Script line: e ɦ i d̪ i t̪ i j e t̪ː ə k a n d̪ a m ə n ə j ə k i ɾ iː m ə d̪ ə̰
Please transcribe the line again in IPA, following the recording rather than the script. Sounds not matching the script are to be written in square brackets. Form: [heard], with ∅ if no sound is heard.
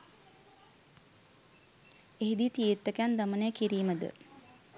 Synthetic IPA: e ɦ i d̪ i t̪ i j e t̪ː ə k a n d̪ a m ə n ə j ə k i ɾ iː m ə d̪ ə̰

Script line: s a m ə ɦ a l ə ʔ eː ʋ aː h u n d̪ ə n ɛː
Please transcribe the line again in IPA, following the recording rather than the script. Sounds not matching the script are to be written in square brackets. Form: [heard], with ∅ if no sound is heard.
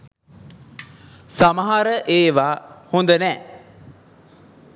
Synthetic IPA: s a m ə ɦ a [ɾ] ə ʔ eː ʋ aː h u n d̪ ə n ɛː

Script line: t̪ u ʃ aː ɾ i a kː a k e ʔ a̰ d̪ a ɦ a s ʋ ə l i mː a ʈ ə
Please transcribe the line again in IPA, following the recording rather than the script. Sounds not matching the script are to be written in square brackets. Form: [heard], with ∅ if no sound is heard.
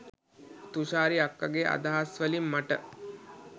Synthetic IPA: t̪ u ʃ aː ɾ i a kː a [ɡ] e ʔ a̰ d̪ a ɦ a s ʋ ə l i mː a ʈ ə

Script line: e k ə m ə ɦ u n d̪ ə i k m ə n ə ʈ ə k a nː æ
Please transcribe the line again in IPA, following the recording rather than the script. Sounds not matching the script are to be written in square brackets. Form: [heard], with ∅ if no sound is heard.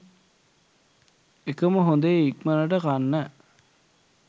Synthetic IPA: e k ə m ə ɦ [o] n d̪ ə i k m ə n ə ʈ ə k a nː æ

